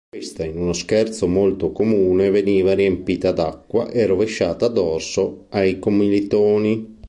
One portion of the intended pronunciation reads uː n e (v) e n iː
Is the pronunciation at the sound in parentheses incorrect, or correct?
correct